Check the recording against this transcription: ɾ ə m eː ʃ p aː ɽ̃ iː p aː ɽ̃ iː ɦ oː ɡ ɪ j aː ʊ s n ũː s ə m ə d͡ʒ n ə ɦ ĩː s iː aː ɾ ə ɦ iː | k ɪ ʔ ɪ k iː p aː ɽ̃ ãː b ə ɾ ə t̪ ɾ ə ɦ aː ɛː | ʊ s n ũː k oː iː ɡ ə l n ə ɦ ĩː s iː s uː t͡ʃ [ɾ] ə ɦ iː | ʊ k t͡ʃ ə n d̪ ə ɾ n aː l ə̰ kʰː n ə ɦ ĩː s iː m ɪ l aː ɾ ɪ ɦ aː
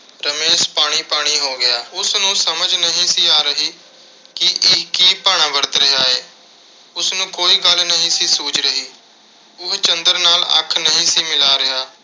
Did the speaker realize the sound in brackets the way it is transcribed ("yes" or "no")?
yes